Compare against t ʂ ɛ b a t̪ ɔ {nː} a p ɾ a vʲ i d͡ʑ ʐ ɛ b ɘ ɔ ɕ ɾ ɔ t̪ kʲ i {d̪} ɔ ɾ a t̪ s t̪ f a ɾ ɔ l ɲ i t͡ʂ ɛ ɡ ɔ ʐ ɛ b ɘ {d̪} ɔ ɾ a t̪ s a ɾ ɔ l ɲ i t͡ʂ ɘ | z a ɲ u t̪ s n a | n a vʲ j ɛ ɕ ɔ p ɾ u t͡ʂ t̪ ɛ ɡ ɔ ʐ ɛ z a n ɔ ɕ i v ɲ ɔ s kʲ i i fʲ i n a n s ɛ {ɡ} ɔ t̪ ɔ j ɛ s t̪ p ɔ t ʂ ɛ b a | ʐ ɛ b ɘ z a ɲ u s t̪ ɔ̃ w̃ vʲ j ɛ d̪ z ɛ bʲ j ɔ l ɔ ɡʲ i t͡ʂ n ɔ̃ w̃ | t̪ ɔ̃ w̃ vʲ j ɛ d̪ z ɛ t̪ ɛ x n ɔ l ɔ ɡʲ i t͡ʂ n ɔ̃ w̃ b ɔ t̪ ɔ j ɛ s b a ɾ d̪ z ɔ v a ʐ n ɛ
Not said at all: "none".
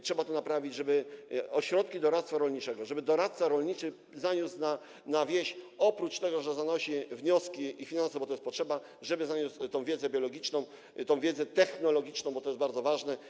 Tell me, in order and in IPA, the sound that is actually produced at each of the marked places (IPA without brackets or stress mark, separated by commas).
n, d̪, d̪, b